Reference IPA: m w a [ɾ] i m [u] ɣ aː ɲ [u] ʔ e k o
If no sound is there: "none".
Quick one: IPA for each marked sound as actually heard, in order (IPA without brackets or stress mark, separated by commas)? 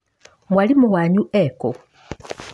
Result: l, u, u